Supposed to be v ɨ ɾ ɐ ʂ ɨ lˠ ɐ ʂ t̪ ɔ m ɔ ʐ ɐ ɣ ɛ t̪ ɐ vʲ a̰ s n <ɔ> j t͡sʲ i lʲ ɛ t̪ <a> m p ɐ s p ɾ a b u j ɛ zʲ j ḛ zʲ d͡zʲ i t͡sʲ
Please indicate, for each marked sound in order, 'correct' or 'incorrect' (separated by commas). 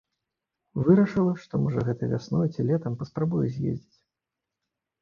correct, incorrect